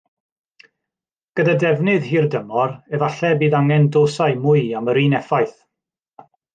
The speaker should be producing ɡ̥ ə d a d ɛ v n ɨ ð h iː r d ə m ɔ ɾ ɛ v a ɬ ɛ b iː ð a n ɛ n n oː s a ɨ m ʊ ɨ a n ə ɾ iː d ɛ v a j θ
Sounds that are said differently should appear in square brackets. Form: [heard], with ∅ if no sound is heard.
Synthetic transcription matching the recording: ɡ̥ ə d a d ɛ v n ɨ ð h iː r d ə m ɔ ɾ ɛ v a ɬ ɛ b iː ð a [ŋ] ɛ n [d] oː s a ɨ m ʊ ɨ a [m] ə ɾ iː [n] ɛ [f] a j θ